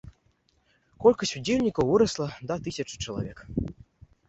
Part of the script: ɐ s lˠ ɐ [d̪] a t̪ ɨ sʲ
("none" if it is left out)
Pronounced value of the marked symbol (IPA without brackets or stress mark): d̪